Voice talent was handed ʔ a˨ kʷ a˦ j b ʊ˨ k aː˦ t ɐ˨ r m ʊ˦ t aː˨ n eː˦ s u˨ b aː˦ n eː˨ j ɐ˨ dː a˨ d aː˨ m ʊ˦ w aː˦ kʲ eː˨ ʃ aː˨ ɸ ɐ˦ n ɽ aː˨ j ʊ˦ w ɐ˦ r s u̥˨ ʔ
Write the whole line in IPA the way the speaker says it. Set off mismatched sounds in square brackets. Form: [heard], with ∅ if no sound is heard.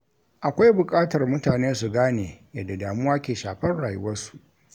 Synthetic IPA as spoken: ʔ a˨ kʷ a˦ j b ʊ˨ [kʼ] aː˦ t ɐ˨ r m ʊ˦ t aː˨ n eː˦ s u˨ [ɡ] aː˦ n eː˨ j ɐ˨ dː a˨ d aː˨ m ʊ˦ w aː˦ kʲ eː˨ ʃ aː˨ ɸ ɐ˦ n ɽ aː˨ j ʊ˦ w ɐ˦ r s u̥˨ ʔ